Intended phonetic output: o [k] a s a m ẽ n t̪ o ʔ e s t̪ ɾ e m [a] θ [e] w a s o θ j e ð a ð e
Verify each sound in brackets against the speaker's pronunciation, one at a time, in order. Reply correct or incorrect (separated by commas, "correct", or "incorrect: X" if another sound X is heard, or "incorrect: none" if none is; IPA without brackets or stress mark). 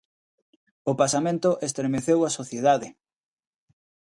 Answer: incorrect: p, incorrect: e, correct